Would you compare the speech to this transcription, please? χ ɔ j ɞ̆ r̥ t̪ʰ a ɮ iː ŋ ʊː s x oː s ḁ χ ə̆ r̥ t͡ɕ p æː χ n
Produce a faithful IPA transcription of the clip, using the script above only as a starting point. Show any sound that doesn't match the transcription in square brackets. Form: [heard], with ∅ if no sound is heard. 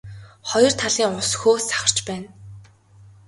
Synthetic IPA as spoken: χ ɔ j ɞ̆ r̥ t̪ʰ a ɮ iː ŋ [ʊ] s x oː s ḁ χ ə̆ r̥ t͡ɕ p æː [∅] n